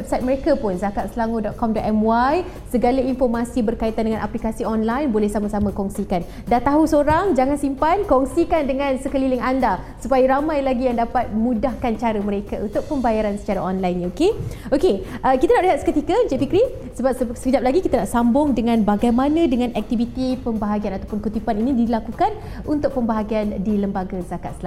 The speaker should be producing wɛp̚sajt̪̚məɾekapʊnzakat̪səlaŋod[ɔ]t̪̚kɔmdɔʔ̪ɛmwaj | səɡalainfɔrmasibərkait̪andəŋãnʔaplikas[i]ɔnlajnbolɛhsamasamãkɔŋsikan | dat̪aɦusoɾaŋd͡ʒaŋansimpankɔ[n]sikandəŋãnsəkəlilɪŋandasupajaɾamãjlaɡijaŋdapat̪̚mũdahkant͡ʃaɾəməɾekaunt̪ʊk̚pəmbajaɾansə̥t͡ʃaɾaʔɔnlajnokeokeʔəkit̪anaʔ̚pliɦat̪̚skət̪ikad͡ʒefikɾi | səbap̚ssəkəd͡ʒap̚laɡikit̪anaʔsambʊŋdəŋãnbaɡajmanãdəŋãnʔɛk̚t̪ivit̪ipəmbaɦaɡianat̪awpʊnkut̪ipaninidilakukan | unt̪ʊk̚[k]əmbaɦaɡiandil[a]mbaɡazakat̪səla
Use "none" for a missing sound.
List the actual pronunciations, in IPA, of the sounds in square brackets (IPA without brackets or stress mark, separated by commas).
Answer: ɔ, i, ŋ, p, ə